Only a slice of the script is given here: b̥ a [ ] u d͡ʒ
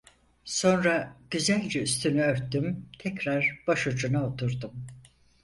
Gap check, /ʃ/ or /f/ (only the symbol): ʃ